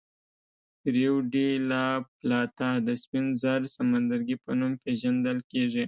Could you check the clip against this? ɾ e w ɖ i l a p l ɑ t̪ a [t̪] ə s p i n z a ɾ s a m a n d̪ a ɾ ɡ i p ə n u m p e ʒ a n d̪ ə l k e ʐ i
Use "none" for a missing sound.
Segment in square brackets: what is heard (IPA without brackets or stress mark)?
d̪